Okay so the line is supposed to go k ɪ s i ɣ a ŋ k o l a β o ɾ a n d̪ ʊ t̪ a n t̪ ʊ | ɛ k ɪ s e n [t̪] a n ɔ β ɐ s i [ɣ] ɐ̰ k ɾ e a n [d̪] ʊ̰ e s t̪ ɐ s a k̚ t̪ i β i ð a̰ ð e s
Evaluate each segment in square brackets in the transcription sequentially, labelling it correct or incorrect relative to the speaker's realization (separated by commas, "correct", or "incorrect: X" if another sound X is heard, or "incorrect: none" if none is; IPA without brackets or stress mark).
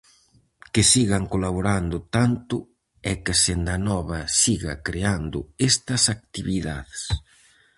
incorrect: d̪, correct, correct